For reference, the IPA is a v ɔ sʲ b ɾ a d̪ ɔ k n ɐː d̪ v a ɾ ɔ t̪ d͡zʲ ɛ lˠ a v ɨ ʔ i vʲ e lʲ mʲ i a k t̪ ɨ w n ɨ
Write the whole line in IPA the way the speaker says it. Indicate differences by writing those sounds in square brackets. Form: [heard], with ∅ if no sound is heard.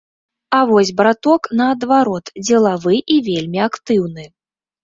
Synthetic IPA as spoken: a v ɔ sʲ b ɾ a [t̪] ɔ k n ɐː d̪ v a ɾ ɔ t̪ d͡zʲ ɛ lˠ a v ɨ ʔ i vʲ e lʲ mʲ i a k t̪ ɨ w n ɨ